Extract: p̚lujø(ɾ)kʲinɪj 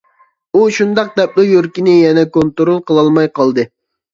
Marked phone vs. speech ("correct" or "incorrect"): correct